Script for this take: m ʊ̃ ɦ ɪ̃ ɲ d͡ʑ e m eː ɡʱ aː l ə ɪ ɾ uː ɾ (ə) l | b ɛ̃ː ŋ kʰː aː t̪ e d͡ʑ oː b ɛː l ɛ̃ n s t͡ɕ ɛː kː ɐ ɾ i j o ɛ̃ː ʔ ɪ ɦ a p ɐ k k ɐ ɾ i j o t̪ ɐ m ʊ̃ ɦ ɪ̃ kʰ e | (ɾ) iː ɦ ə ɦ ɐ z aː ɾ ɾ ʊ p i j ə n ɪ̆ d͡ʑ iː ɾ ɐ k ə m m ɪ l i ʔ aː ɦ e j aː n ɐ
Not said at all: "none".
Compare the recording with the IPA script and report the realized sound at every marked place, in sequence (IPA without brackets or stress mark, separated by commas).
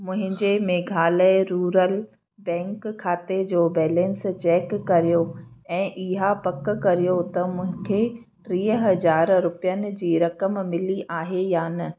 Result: ə, ɾ